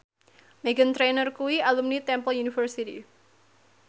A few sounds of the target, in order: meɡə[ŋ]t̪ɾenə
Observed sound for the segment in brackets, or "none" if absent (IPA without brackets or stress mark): n